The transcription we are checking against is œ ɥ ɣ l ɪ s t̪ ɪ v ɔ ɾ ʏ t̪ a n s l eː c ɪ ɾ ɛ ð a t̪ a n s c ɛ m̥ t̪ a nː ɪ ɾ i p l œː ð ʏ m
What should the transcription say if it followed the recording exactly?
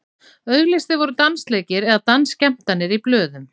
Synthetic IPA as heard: œ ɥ ɣ l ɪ s t̪ ɪ v ɔ ɾ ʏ t̪ a n s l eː c ɪ ɾ ɛ ð a t̪ a n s c ɛ m̥ t̪ a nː ɪ ɾ i p l œː ð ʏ m